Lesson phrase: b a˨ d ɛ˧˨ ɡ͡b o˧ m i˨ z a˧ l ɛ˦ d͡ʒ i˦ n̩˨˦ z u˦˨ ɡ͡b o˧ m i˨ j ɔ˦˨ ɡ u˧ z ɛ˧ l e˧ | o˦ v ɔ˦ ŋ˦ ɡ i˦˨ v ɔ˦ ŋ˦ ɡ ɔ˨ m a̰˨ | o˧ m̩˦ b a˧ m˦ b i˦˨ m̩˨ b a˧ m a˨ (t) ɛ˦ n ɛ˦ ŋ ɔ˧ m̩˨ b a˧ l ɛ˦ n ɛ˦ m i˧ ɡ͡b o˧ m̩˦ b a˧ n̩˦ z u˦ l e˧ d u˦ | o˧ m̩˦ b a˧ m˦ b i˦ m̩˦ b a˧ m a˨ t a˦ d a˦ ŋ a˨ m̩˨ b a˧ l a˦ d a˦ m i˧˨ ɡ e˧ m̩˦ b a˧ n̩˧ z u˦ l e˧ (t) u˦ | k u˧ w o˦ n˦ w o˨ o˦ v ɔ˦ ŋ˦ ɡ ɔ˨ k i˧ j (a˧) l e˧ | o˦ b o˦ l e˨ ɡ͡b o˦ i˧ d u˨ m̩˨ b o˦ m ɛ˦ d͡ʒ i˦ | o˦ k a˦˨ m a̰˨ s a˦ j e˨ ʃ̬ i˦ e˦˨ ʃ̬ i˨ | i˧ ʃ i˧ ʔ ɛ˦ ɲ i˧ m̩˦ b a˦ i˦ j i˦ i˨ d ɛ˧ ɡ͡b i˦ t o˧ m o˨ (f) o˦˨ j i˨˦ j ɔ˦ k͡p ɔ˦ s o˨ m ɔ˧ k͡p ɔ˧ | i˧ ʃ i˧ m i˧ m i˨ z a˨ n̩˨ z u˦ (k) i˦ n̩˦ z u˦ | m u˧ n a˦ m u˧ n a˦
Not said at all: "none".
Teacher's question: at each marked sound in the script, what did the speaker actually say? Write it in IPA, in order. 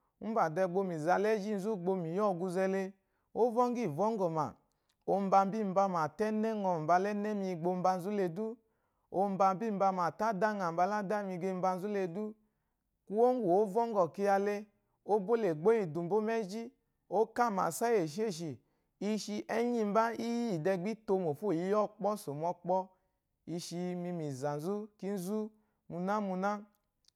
t, d, a˧, f, k

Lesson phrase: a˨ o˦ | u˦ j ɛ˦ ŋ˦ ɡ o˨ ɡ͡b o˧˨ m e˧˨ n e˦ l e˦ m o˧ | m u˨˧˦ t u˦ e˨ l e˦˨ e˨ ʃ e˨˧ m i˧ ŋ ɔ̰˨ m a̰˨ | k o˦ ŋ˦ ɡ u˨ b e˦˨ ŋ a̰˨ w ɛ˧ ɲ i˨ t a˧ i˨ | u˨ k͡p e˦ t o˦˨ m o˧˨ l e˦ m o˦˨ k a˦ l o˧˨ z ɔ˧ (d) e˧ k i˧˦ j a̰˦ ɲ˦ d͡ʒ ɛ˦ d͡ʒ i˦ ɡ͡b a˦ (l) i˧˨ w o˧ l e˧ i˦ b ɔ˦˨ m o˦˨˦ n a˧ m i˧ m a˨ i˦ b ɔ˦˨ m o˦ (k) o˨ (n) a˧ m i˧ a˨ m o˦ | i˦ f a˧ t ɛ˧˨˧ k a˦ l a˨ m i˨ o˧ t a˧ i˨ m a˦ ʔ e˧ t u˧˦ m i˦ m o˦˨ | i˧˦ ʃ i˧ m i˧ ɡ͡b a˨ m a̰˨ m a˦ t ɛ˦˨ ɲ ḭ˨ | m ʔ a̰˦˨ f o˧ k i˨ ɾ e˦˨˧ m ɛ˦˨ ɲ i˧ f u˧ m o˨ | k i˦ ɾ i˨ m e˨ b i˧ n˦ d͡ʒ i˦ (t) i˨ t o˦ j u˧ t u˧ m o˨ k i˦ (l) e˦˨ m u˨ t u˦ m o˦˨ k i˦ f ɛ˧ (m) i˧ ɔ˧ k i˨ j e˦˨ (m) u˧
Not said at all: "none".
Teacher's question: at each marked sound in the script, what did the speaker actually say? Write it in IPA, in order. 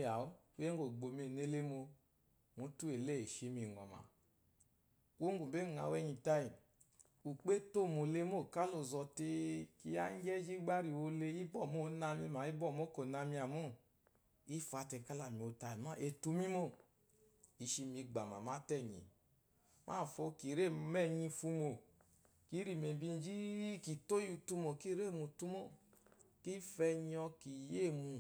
t, ɾ, k, n, k, ɾ, ɲ, m

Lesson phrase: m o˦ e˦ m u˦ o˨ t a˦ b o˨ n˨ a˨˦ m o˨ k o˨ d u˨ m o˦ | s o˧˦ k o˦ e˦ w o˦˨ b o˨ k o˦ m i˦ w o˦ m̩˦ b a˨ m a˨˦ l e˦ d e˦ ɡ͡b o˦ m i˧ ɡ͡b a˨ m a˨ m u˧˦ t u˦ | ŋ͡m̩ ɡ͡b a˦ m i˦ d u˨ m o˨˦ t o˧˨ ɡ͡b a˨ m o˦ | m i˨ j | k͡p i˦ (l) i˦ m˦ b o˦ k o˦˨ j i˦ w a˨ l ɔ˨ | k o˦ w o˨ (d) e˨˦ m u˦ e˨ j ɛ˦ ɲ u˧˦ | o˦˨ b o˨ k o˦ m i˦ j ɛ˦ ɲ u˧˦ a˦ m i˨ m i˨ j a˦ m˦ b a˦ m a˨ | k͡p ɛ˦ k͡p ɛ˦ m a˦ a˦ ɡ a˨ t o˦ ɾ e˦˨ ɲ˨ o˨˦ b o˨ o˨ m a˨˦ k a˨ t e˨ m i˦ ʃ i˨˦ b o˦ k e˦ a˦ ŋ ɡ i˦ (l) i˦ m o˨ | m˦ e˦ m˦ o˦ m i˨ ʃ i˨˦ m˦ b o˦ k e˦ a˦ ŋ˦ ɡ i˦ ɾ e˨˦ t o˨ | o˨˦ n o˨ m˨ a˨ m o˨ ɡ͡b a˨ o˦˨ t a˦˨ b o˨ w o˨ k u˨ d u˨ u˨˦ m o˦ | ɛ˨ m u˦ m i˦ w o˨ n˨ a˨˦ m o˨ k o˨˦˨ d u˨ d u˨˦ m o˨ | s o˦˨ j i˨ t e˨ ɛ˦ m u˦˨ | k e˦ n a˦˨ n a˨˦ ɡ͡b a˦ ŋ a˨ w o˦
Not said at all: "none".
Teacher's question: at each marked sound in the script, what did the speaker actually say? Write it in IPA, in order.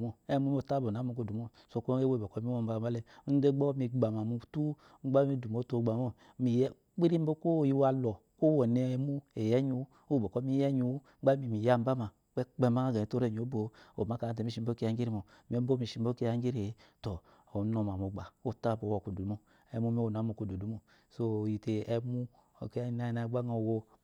ɾ, n, ɾ

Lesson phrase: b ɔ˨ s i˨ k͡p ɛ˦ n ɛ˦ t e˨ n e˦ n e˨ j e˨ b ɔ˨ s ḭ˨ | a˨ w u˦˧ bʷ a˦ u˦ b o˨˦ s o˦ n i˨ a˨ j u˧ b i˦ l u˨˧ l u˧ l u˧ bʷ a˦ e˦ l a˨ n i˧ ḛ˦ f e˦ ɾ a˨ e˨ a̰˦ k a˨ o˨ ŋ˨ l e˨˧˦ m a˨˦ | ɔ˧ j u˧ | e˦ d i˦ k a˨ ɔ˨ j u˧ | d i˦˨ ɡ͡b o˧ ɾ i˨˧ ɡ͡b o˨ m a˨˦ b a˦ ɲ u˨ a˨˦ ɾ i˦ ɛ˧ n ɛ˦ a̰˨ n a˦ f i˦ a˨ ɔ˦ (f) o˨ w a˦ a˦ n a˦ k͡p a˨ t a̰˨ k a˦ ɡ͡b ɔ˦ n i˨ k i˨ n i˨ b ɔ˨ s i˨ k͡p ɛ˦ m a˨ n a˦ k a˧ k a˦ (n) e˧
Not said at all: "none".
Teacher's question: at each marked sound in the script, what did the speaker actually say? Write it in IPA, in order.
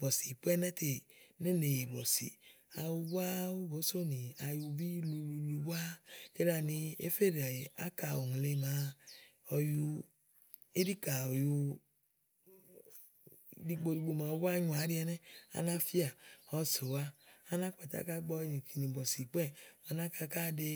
s, d

